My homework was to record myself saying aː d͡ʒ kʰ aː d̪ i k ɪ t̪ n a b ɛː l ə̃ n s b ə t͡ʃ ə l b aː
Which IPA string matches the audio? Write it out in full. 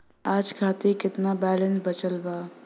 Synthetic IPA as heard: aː d͡ʒ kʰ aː t̪ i k ɪ t̪ n a b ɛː l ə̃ n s b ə t͡ʃ ə l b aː